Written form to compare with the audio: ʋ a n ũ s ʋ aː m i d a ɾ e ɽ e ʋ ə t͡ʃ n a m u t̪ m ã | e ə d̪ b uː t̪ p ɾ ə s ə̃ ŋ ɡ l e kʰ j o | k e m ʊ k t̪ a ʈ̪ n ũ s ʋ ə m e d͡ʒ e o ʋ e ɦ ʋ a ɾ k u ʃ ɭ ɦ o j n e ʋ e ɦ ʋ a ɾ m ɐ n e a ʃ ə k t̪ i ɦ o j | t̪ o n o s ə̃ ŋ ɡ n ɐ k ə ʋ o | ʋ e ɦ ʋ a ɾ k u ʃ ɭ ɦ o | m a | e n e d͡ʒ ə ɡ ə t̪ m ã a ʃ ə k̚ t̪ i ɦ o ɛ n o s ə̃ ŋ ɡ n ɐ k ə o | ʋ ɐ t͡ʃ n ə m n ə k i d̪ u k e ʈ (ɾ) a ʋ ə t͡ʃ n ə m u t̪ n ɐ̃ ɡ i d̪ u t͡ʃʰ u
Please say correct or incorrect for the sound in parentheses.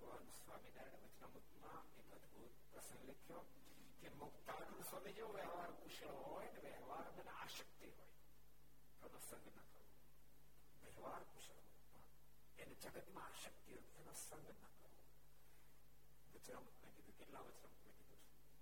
incorrect